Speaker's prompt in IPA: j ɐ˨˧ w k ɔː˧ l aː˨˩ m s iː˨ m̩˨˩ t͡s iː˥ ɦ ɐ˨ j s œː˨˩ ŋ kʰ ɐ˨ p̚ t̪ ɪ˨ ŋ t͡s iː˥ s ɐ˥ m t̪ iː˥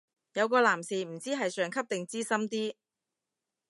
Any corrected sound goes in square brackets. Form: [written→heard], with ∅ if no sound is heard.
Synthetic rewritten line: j ɐ˨˧ w k ɔː˧ l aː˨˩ m s iː˨ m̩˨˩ t͡s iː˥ ɦ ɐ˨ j s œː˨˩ ŋ kʰ [ɐ˨→ɐ˥] p̚ t̪ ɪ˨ ŋ t͡s iː˥ s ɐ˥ m t̪ iː˥